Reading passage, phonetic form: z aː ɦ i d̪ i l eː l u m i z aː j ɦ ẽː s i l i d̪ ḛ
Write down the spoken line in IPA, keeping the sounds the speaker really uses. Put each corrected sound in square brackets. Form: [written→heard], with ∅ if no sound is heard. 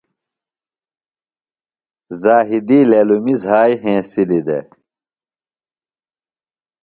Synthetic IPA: z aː ɦ i d̪ i l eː l u m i z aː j ɦ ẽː s i l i d̪ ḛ